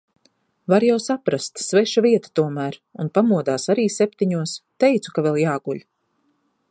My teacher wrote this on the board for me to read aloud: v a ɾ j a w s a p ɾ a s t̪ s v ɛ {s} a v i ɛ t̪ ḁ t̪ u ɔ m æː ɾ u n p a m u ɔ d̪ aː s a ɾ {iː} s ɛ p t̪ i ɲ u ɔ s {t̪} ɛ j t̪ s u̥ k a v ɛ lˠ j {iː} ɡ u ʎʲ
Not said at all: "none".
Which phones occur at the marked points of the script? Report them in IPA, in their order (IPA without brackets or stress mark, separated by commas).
ʃ, iː, t̪, aː